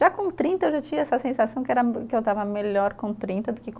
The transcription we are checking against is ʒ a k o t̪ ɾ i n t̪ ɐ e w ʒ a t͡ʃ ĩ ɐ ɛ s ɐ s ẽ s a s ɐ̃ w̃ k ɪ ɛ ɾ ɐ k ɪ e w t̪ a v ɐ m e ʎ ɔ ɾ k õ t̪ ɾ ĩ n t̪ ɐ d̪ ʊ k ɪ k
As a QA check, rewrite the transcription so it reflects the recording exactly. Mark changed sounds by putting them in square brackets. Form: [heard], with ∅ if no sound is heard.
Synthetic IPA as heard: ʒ a k [õ] t̪ ɾ [ĩ] n t̪ ɐ e w ʒ a t͡ʃ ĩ ɐ ɛ s ɐ s ẽ s a s ɐ̃ w̃ k ɪ ɛ ɾ ɐ k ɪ e w t̪ a v ɐ m e ʎ ɔ ɾ k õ t̪ ɾ ĩ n t̪ ɐ d̪ ʊ k ɪ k